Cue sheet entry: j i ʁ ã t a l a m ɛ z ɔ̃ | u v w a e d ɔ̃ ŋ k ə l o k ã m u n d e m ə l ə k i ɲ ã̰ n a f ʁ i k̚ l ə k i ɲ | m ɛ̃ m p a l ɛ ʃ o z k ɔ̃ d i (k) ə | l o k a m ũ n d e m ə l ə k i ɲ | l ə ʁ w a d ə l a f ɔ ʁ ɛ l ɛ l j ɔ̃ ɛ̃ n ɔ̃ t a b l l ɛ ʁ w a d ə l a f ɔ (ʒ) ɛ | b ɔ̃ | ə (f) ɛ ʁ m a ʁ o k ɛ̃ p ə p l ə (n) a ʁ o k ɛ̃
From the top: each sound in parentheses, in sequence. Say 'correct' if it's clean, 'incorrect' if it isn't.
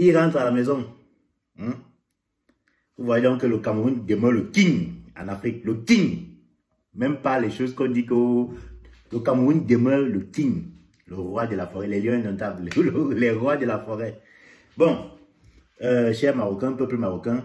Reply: correct, incorrect: ʁ, incorrect: ʃ, incorrect: m

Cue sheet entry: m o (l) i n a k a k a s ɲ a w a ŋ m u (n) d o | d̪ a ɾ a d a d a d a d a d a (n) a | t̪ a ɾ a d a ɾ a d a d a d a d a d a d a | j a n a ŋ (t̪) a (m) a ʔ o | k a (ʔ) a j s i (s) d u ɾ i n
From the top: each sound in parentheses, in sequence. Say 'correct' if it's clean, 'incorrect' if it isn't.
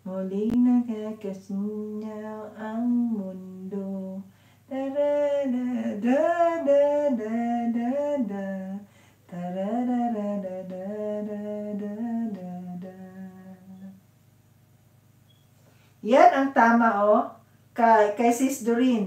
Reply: correct, correct, incorrect: d, correct, correct, incorrect: k, correct

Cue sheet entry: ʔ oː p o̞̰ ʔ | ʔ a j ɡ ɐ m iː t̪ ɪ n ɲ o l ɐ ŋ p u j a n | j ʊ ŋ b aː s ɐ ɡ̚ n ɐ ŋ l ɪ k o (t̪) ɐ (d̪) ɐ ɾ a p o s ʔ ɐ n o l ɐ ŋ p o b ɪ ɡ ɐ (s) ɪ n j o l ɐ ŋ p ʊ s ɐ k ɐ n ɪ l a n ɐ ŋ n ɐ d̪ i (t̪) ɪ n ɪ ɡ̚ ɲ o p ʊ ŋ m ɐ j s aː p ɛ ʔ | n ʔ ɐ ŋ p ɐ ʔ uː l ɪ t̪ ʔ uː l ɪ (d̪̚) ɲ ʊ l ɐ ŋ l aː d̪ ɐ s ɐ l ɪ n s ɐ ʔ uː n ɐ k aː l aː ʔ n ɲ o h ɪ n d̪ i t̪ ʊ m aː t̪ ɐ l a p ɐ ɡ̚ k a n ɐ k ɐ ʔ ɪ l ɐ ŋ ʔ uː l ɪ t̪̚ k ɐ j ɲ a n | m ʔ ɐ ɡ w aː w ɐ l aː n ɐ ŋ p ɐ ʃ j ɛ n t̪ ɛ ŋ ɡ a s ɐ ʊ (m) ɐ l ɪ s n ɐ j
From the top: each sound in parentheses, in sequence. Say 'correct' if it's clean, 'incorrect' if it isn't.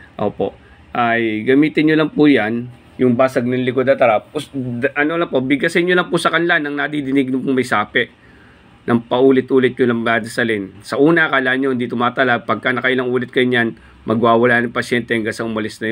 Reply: incorrect: d̪, incorrect: t̪, correct, incorrect: d̪, incorrect: t̪̚, correct

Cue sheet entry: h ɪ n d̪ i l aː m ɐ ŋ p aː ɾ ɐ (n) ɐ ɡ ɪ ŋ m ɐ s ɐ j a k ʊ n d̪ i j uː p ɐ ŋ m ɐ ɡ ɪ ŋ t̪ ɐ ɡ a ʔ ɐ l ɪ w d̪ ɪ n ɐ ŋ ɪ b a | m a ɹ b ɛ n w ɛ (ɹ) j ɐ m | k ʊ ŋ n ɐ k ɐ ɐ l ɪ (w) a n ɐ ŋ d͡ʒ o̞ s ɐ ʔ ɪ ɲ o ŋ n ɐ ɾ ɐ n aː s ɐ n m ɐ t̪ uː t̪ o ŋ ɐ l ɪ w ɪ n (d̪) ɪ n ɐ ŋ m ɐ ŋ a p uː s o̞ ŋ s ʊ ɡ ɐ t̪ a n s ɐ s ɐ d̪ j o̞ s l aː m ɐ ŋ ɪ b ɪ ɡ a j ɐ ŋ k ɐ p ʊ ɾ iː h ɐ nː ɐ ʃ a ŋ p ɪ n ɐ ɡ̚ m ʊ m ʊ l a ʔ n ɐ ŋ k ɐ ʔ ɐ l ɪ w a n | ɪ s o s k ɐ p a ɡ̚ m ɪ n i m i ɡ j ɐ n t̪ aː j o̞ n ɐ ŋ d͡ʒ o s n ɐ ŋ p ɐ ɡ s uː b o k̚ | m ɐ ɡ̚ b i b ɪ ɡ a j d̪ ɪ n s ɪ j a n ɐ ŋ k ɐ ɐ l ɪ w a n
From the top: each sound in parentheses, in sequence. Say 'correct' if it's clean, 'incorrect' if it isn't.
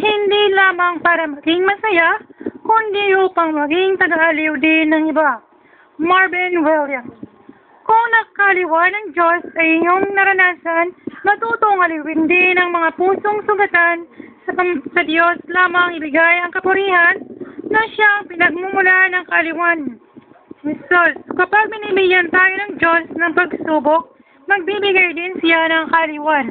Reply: incorrect: m, incorrect: l, correct, correct

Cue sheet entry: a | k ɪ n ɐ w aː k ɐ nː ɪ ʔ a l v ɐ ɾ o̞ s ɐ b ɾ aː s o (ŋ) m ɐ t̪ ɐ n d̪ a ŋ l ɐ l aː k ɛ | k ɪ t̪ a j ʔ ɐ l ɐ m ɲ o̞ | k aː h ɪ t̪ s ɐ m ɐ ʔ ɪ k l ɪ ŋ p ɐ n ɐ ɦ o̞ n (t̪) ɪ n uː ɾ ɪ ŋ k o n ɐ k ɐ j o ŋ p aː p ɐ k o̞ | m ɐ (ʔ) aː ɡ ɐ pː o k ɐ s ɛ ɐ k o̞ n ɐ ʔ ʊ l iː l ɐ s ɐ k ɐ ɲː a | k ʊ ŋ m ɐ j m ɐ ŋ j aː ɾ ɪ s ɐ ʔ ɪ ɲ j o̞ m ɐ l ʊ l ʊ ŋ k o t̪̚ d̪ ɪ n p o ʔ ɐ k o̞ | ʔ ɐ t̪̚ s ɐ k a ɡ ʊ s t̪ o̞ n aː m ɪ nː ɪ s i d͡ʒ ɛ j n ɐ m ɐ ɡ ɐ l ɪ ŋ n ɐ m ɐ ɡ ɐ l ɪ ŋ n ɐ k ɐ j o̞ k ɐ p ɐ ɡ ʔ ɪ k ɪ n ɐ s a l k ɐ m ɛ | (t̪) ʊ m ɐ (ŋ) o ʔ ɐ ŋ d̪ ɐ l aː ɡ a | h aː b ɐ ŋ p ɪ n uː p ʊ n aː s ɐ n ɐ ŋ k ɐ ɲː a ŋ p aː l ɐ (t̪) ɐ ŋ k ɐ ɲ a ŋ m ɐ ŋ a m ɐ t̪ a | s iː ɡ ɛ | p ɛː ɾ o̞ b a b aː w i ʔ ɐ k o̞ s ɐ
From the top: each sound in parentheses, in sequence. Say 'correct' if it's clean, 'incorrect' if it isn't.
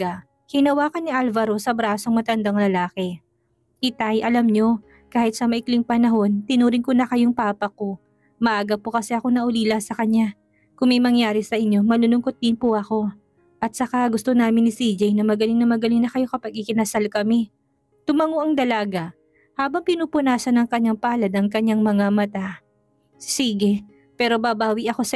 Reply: correct, correct, correct, correct, correct, incorrect: d̪

